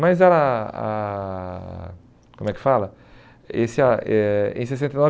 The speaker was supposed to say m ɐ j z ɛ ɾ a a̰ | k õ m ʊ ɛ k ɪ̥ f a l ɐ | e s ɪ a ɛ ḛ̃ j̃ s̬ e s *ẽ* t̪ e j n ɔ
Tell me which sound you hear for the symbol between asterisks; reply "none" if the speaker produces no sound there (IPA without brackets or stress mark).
ẽ